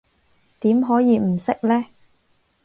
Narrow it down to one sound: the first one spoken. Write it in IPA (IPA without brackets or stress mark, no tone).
t̪